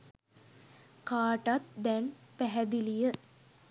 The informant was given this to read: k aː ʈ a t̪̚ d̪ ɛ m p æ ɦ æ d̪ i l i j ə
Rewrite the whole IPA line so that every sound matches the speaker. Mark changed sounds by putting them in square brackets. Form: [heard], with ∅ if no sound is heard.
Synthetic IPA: k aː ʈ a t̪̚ d̪ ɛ [n] p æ ɦ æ d̪ i l i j ə